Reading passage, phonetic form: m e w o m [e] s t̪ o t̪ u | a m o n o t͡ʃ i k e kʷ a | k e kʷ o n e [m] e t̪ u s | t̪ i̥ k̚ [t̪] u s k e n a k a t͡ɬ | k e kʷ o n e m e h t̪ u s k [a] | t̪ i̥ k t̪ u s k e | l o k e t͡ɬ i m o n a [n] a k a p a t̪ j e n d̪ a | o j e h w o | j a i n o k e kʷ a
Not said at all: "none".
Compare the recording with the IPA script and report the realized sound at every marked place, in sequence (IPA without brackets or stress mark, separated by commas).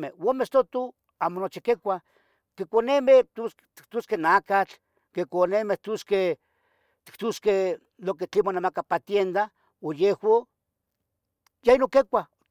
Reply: e, m, t̪, e, m